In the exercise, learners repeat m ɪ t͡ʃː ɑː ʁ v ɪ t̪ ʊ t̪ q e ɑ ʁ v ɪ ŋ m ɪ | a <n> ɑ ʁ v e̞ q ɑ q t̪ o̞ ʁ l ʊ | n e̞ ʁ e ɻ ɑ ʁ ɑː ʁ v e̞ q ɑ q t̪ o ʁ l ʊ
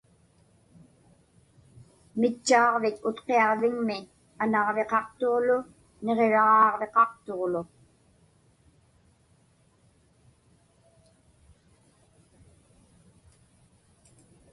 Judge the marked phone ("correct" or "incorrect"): correct